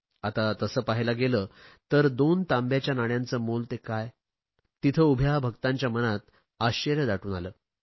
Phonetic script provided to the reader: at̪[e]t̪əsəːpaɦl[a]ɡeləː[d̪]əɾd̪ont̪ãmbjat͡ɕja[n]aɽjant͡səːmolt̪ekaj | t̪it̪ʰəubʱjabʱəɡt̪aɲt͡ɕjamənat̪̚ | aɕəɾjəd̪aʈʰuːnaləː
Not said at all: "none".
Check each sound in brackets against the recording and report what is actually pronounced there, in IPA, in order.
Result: a, a, t̪, n

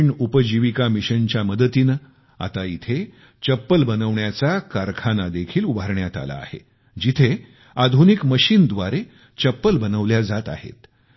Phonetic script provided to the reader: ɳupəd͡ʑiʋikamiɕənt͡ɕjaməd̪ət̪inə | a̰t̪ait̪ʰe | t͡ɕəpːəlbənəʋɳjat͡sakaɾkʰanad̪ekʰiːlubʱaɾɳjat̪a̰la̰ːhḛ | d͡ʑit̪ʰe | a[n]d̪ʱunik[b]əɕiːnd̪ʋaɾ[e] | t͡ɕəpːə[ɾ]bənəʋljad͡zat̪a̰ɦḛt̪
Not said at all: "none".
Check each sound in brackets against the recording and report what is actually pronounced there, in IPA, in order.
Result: none, m, e, l

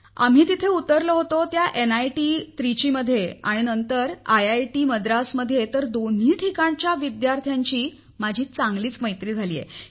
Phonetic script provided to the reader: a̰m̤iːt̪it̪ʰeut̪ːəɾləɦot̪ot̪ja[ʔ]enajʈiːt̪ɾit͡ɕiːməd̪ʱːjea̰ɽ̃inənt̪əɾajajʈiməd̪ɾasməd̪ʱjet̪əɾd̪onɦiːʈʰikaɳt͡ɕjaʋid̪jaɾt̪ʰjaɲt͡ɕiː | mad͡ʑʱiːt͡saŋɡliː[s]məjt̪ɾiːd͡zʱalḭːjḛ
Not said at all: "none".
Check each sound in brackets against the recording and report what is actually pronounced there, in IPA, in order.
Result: ʔ, t͡s

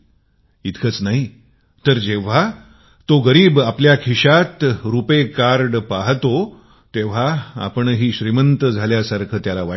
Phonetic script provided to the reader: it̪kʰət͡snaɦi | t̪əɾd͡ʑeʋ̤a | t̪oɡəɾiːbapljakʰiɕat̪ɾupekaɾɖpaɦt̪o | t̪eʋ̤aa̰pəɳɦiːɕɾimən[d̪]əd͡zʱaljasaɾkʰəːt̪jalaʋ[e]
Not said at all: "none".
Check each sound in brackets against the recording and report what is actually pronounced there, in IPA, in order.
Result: t̪, a

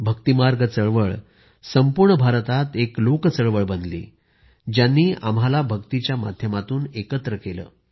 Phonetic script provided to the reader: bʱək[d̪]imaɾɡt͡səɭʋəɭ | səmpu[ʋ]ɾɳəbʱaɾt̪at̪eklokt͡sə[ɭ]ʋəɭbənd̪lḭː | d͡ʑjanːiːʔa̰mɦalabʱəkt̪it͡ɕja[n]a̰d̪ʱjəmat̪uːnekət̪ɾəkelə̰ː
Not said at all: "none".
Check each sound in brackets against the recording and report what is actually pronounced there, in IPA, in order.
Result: t̪, none, ɭ, m

